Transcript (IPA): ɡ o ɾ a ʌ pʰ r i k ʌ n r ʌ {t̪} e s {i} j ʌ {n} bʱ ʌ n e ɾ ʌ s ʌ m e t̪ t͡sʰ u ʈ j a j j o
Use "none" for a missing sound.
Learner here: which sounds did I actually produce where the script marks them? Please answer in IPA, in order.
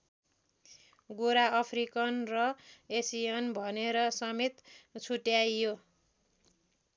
none, i, n

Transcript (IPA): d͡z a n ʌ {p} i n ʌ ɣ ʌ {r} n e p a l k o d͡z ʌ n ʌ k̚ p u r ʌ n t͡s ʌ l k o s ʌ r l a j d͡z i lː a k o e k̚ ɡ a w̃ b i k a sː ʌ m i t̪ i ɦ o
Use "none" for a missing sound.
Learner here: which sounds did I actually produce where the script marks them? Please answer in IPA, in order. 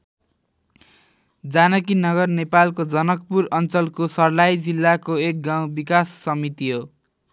k, r

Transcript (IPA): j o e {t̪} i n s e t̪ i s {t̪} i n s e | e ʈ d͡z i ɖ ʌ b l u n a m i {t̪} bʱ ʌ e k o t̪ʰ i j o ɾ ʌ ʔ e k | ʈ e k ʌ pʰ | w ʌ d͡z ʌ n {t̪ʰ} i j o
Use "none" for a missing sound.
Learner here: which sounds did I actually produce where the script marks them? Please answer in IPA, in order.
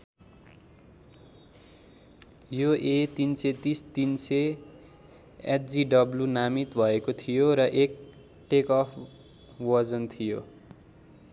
t̪, t̪, t̪, t̪ʰ

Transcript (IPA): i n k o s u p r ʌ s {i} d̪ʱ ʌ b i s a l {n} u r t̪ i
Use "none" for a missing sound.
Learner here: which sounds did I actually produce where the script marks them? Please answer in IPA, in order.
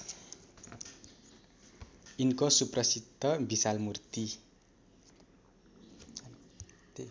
i, m

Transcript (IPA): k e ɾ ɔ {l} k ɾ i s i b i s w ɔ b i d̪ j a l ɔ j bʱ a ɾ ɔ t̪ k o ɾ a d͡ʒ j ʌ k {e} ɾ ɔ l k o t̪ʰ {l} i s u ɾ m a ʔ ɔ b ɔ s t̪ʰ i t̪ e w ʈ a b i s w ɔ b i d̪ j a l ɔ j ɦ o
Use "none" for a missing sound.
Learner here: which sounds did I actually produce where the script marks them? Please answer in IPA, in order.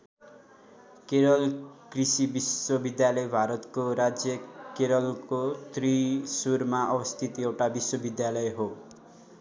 l, e, ɾ

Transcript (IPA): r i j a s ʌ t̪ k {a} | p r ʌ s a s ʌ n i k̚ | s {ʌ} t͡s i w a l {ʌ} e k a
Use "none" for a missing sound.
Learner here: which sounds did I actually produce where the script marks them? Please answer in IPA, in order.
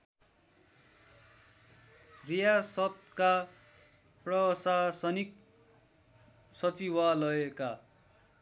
a, ʌ, ʌ

